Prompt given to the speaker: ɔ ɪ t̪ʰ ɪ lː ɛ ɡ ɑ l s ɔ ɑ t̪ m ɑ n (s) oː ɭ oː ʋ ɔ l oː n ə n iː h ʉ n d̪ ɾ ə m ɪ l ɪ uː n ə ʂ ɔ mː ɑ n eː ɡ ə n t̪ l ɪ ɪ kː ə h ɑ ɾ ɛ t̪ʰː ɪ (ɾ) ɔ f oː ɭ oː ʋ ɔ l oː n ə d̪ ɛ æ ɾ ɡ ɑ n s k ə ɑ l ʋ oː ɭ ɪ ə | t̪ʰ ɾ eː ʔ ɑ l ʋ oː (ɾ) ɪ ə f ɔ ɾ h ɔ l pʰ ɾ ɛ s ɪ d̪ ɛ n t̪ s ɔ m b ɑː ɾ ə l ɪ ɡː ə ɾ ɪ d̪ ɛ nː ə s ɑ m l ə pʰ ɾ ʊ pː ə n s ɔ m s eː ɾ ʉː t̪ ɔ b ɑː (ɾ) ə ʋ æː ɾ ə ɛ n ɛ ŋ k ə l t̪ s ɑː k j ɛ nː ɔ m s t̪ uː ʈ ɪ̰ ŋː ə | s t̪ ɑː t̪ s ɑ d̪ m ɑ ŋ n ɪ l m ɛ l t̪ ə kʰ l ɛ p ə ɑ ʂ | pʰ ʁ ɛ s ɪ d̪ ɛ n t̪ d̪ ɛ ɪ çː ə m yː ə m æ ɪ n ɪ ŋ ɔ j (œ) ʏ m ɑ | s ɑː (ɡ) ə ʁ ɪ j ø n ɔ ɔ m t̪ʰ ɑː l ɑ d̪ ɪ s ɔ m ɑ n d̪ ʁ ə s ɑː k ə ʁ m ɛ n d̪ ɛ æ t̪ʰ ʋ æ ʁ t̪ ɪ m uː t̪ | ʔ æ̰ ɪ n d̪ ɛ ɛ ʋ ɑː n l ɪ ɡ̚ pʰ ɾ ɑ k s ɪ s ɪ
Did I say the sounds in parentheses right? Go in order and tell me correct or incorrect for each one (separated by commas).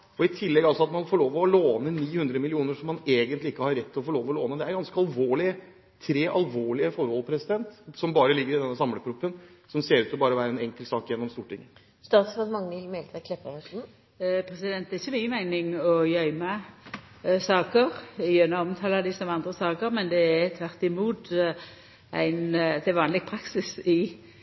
incorrect, incorrect, incorrect, correct, correct, incorrect